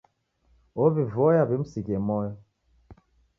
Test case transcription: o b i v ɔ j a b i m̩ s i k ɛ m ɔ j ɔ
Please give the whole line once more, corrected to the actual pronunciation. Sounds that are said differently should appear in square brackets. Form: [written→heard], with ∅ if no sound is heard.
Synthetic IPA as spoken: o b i v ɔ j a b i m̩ s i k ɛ m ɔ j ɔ